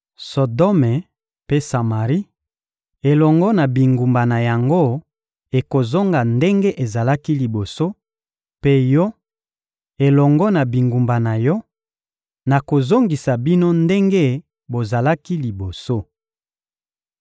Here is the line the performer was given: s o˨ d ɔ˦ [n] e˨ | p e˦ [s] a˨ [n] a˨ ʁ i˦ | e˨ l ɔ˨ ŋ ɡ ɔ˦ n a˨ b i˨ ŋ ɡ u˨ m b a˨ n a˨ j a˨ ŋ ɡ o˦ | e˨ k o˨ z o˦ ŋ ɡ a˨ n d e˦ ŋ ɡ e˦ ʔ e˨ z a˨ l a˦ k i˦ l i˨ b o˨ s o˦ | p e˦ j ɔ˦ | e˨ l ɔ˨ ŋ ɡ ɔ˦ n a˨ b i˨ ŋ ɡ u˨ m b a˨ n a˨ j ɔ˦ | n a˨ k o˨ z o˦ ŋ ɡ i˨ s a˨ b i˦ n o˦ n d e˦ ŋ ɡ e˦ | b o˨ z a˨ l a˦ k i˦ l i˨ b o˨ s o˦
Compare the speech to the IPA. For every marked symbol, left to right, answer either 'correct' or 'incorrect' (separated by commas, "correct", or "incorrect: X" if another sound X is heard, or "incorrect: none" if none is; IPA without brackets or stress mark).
incorrect: m, correct, incorrect: m